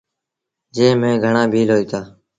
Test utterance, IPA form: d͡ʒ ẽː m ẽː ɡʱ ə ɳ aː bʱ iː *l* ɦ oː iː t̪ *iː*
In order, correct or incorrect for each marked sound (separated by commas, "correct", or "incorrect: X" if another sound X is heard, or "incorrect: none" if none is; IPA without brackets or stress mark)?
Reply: correct, incorrect: aː